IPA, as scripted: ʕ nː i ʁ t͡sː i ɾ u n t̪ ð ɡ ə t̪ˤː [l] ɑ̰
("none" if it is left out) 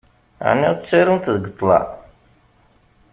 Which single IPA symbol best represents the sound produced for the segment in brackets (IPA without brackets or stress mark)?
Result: l